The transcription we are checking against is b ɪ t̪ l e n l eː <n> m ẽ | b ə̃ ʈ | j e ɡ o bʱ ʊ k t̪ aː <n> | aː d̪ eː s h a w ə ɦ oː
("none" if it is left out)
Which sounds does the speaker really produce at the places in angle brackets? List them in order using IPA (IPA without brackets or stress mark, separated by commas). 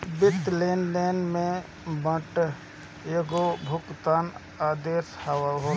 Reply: n, n